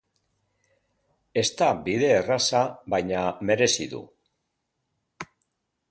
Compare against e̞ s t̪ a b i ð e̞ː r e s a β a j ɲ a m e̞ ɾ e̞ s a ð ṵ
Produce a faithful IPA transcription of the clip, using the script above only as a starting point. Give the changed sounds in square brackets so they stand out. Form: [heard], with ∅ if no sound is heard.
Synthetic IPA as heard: e̞ s t̪ a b i ð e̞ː r [a] s a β a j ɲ a m e̞ ɾ e̞ s [i] ð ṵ